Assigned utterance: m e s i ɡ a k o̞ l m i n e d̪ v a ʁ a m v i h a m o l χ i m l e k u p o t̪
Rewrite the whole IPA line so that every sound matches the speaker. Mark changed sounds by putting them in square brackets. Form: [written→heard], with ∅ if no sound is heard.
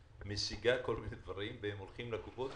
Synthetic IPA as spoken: m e s i ɡ a k o̞ l m i n e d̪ v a ʁ [a→i] m v [i→e] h [a→e] m o l χ i m l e k u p o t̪